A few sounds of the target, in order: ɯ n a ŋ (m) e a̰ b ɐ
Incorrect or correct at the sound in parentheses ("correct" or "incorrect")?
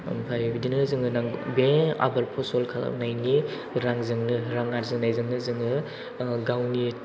incorrect